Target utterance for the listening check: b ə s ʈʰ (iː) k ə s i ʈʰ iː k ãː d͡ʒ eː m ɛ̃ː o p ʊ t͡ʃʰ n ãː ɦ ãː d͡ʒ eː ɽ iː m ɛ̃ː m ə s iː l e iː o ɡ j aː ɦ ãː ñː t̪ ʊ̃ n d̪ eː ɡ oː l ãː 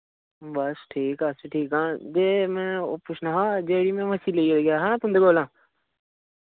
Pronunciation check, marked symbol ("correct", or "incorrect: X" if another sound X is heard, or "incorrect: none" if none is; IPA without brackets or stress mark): correct